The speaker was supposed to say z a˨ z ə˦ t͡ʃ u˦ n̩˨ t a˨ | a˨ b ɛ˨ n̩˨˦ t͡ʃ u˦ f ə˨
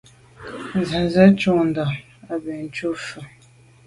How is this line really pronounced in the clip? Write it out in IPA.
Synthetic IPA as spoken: z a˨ z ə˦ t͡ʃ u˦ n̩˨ d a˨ | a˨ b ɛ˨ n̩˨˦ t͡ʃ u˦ f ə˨